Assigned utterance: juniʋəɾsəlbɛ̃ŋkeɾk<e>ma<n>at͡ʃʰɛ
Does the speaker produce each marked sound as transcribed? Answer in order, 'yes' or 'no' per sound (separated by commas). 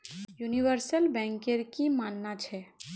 no, no